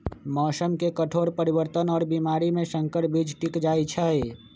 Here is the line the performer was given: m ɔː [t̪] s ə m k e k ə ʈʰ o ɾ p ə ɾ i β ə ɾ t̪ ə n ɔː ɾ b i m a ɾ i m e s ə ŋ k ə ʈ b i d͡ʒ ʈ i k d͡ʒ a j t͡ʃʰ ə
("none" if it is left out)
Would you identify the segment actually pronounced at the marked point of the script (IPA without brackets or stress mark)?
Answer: none